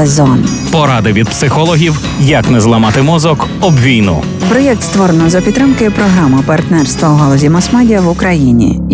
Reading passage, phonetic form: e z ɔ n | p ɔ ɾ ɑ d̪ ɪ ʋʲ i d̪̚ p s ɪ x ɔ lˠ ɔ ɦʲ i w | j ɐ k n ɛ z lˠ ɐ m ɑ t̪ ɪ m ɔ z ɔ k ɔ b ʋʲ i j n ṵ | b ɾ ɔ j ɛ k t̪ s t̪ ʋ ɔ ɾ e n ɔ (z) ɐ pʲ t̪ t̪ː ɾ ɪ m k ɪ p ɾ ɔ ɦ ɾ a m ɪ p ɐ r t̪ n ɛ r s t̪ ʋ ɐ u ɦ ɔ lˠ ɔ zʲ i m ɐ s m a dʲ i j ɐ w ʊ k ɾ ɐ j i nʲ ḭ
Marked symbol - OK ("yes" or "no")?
yes